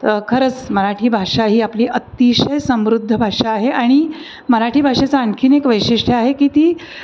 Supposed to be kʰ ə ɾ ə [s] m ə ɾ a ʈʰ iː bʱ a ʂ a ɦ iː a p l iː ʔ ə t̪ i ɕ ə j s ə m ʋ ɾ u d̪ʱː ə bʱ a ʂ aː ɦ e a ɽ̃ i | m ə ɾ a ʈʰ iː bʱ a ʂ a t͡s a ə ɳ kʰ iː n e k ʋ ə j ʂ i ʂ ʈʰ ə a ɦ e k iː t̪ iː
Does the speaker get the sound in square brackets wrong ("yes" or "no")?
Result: yes